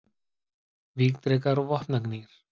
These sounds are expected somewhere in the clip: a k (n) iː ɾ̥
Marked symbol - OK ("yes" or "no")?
yes